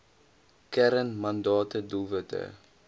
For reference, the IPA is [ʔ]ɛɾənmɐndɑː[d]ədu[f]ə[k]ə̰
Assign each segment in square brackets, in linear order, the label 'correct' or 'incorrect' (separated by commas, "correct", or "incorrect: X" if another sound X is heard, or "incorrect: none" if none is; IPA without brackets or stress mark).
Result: incorrect: k, incorrect: t, incorrect: v, incorrect: t